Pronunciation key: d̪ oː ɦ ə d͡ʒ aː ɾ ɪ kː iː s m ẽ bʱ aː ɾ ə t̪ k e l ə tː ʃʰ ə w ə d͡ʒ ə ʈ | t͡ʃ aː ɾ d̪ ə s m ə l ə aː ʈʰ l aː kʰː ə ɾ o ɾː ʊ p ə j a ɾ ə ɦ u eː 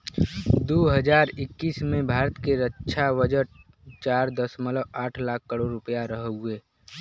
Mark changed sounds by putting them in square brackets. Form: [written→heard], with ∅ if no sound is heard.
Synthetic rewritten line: d̪ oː ɦ ə d͡ʒ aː ɾ ɪ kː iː s m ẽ bʱ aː ɾ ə t̪ k e [l→ɾ] ə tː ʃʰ [ə→a] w ə d͡ʒ ə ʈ | t͡ʃ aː ɾ d̪ ə s m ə l ə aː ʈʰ l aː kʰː ə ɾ o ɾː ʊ p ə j a ɾ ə ɦ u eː